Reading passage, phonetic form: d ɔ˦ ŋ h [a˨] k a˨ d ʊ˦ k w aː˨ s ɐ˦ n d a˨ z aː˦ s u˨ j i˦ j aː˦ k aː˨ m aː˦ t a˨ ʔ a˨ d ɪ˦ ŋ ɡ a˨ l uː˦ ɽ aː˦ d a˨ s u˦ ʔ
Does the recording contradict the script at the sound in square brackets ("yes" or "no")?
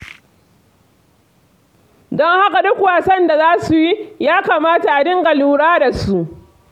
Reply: yes